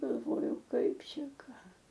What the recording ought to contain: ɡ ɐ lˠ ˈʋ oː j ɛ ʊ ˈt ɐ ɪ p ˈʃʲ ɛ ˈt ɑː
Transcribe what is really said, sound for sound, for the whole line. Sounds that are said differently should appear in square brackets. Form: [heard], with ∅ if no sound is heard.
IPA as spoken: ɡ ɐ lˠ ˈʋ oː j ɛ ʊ [ˈk] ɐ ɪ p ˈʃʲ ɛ [ˈk] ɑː

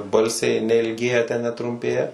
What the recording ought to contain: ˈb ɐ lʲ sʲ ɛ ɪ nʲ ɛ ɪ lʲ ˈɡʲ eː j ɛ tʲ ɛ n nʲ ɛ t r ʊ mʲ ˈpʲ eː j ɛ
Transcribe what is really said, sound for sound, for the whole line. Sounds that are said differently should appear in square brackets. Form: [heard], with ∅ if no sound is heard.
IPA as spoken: ˈb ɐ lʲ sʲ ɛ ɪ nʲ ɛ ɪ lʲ ˈɡʲ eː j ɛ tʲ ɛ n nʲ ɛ t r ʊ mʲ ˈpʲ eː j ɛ

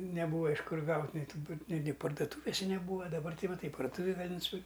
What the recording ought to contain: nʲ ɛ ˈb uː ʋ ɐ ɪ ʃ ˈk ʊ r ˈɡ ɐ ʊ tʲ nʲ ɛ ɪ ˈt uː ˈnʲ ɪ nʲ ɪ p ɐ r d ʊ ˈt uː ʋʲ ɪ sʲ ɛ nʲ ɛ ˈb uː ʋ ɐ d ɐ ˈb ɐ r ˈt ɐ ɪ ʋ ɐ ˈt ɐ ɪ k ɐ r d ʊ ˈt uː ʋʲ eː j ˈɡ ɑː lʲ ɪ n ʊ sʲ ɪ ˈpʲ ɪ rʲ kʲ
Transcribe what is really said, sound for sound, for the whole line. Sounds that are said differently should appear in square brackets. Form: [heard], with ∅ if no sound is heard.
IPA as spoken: nʲ ɛ ˈb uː ʋ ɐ ɪ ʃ ˈk ʊ r ˈɡ ɐ ʊ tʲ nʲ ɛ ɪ ˈt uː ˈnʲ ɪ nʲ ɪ p ɐ r d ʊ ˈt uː ʋʲ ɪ sʲ ɛ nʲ ɛ ˈb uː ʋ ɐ d ɐ ˈb ɐ r ˈt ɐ ɪ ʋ ɐ ˈt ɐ ɪ [p] ɐ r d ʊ ˈt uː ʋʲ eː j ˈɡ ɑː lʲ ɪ n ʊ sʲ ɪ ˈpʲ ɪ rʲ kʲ

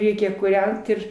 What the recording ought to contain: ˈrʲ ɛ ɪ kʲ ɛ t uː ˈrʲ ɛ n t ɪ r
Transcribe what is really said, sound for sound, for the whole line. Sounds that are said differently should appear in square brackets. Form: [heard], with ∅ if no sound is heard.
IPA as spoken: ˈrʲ ɛ ɪ kʲ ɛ [k] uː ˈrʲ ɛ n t ɪ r

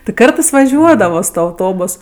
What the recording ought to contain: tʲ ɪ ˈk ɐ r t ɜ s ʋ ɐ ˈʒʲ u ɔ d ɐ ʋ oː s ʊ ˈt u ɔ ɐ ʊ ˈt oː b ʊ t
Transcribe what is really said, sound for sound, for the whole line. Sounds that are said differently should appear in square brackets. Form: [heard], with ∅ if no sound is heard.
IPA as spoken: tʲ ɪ ˈk ɐ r t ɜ s ʋ ɐ ˈʒʲ u ɔ d ɐ ʋ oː s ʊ ˈt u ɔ ɐ ʊ ˈt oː b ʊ [s]

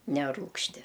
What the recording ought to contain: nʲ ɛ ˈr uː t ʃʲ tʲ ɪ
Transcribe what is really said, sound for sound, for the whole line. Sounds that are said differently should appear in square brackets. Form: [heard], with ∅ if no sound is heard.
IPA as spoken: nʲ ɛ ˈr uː [k] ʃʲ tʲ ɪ

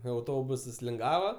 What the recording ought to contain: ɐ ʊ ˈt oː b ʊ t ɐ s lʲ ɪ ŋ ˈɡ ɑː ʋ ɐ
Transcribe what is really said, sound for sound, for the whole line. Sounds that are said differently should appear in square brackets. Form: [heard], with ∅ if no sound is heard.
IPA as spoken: ɐ ʊ ˈt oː b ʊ [s] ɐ s lʲ ɪ ŋ ˈɡ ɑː ʋ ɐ

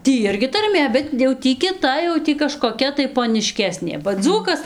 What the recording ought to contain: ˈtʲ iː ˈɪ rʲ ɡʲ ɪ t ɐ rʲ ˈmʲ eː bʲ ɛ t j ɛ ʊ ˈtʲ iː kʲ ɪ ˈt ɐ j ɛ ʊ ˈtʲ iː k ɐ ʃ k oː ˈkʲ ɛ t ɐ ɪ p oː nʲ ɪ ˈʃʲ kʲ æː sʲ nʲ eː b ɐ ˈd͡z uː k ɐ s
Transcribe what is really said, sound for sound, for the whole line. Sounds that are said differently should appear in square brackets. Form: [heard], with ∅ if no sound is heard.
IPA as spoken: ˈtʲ iː ˈɪ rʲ ɡʲ ɪ t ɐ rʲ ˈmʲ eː bʲ ɛ t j ɛ ʊ ˈtʲ iː kʲ ɪ ˈt ɐ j ɛ ʊ ˈtʲ iː k ɐ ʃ k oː ˈkʲ ɛ t ɐ ɪ p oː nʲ ɪ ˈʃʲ kʲ æː sʲ nʲ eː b ɐ ˈd͡z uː k ɐ s

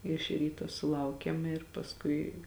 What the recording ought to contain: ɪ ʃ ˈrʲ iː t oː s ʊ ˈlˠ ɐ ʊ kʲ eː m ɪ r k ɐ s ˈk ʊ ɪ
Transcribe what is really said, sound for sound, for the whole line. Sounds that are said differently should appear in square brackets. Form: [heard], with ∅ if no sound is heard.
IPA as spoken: ɪ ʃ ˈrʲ iː t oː s ʊ ˈlˠ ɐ ʊ kʲ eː m ɪ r [p] ɐ s ˈk ʊ ɪ

